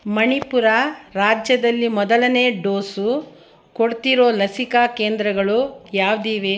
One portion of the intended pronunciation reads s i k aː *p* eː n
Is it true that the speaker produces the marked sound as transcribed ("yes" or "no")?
no